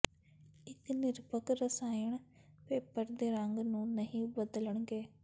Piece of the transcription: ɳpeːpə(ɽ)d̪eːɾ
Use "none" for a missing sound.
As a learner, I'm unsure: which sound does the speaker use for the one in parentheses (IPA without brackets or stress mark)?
ɾ